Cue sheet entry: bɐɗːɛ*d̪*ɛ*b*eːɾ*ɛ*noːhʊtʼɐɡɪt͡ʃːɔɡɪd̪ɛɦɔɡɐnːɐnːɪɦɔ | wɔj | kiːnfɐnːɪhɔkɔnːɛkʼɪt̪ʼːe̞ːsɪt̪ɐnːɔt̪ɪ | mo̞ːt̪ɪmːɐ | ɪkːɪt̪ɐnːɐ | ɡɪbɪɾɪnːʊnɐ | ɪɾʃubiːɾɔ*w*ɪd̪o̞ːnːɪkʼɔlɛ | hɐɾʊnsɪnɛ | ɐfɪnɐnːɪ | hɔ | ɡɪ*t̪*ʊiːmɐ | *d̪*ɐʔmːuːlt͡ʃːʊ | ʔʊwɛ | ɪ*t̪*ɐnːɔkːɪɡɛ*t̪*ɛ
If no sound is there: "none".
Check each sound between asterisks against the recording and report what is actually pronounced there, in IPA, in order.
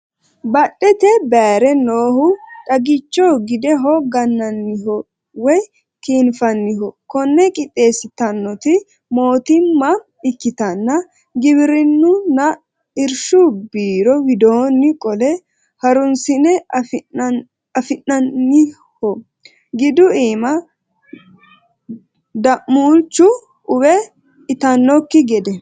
t̪, b, ɛ, w, d̪, d̪, t̪, d̪

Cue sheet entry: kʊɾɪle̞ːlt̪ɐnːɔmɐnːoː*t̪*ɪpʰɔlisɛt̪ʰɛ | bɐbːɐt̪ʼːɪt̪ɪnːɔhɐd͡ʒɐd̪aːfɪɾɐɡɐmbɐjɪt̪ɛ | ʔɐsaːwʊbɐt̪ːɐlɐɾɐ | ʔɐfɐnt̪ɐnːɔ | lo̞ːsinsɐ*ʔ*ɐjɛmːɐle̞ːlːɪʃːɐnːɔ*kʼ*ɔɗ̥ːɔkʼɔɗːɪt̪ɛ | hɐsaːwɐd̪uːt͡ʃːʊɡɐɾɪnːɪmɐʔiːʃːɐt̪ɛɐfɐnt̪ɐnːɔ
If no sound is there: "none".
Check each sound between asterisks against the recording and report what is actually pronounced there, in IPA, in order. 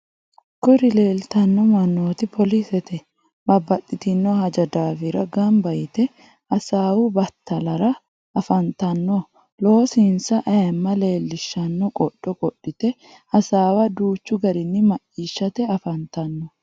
t̪, ʔ, kʼ

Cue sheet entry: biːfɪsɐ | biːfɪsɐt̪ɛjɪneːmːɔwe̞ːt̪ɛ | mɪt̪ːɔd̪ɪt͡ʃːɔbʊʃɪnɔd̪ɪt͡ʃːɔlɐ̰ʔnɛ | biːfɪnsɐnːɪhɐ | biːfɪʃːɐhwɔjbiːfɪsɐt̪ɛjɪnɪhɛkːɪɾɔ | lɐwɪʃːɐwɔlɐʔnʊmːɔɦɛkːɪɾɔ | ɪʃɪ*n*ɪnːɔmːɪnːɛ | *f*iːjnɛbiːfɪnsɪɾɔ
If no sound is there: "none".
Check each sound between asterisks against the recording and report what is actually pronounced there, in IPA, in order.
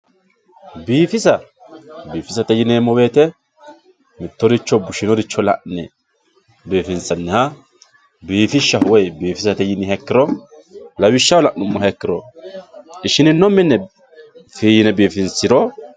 n, f

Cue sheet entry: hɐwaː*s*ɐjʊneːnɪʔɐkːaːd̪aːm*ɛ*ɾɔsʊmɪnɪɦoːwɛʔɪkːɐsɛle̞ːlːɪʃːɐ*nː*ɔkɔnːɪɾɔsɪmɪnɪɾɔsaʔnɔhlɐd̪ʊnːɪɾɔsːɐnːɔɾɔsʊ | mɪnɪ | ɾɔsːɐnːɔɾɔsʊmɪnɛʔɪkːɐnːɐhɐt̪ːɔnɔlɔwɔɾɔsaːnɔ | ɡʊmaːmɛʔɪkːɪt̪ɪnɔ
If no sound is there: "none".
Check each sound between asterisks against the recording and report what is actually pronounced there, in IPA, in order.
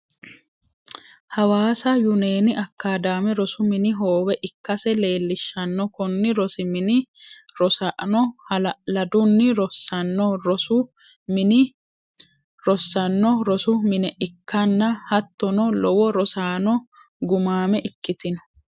s, ɛ, nː

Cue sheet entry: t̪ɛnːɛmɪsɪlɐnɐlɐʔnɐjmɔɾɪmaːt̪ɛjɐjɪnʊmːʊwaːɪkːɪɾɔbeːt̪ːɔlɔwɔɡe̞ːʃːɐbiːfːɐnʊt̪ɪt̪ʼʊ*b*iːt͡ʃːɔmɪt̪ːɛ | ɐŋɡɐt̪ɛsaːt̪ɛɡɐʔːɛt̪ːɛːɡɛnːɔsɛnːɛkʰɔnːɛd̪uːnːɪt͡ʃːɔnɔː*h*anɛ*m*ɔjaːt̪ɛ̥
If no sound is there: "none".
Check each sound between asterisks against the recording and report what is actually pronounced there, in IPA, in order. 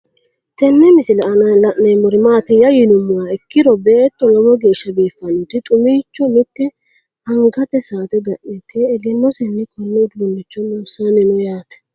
m, s, n

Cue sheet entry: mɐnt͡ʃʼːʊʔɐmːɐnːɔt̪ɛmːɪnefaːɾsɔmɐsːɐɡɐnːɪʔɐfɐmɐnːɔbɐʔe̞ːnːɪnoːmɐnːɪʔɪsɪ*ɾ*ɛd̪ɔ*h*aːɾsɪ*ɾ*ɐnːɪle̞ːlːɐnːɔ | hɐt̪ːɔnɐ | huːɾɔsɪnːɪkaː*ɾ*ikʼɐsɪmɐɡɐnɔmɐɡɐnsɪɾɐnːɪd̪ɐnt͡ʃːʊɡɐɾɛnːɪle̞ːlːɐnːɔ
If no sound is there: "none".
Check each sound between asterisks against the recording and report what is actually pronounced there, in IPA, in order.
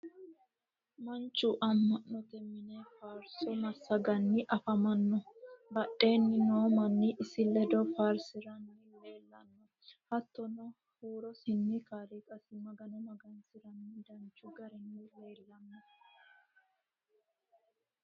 l, f, ɾ, l

